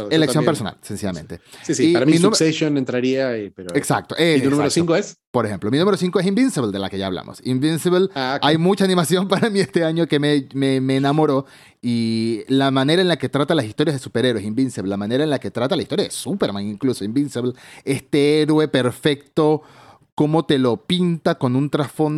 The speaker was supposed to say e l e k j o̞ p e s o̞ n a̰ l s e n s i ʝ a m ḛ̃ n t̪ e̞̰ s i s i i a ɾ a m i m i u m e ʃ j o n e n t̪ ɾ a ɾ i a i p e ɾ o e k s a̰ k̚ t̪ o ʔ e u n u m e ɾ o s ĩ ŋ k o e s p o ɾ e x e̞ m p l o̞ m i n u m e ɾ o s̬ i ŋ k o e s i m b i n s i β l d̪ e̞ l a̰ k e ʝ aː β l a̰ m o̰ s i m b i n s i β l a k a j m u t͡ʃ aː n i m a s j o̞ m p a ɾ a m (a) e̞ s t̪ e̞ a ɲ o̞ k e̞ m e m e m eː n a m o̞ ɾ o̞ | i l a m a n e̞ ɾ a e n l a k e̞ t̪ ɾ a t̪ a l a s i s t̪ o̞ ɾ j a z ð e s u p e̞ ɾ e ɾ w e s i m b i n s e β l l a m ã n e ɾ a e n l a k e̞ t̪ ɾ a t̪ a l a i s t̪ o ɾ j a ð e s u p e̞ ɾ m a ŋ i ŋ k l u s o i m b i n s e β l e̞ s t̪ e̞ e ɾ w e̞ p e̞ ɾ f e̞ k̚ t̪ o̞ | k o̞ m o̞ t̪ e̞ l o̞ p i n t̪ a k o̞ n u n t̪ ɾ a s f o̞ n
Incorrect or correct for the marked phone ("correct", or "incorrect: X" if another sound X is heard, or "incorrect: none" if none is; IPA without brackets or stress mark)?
incorrect: i